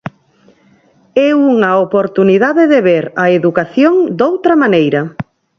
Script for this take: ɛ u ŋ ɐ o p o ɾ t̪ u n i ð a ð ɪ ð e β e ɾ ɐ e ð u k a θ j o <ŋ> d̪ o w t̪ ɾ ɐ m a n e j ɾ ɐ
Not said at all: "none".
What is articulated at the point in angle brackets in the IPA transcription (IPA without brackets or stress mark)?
ŋ